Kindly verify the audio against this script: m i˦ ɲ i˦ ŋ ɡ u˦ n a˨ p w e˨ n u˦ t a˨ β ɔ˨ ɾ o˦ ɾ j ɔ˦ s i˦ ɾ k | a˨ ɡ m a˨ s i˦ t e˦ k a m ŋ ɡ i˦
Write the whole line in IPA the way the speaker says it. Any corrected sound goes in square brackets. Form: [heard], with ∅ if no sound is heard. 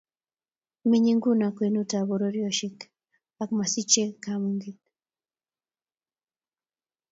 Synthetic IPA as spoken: m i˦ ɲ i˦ ŋ ɡ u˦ n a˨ [k] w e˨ n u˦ t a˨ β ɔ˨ ɾ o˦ ɾ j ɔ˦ [ʃ] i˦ [∅] k | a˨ [k] m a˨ s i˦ [t͡ʃ] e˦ k a m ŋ ɡ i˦